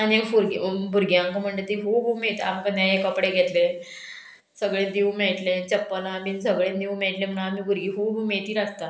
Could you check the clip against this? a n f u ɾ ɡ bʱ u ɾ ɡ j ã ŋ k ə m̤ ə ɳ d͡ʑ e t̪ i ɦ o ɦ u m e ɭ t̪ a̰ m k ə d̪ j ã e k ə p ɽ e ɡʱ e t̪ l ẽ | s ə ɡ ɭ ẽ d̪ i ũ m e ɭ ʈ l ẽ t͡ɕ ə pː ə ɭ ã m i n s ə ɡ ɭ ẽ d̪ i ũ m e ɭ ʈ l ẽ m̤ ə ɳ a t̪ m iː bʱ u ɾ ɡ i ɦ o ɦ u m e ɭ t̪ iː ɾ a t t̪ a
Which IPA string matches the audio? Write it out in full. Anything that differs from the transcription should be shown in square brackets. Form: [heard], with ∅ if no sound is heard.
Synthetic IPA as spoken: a n f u ɾ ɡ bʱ u ɾ ɡ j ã ŋ k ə m̤ ə ɳ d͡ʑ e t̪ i ɦ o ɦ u m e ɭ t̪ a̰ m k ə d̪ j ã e k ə p ɽ e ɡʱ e t̪ l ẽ | s ə ɡ ɭ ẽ d̪ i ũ m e ɭ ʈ l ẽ t͡ɕ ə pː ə [l] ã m i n s ə ɡ ɭ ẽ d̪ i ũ m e ɭ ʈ l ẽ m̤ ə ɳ a [∅] m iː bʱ u ɾ ɡ i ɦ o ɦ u m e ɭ t̪ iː ɾ a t t̪ a